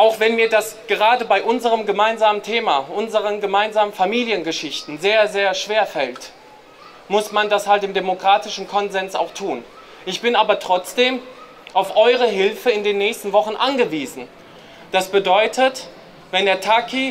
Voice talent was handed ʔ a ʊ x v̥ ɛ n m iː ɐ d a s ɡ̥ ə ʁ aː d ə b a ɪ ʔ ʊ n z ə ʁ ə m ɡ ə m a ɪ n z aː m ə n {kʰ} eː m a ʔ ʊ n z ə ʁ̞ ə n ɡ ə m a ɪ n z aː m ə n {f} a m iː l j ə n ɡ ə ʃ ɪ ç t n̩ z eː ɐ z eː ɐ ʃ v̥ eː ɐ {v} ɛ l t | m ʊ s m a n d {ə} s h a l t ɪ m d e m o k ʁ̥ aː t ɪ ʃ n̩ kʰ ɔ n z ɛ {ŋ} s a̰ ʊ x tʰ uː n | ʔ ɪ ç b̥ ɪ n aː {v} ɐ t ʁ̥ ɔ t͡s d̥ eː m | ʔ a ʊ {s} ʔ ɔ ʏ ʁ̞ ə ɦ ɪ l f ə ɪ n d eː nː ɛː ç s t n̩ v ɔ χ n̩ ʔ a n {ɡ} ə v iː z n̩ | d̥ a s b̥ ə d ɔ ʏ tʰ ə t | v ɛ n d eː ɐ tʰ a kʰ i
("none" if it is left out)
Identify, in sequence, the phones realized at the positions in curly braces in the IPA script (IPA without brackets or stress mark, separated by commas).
tʰ, f, f, a, n, b, f, ɡ